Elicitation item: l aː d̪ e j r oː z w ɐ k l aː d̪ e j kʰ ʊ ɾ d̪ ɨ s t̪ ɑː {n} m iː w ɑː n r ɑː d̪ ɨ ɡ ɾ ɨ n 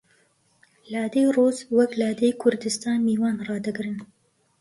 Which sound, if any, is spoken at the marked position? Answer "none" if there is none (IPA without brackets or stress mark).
n